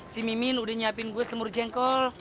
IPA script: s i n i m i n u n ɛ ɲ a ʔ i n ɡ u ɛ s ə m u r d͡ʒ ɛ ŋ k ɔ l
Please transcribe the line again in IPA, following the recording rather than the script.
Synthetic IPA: s i m i m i n u d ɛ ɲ a p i n ɡ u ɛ s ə m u r d͡ʒ ɛ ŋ k ɔ l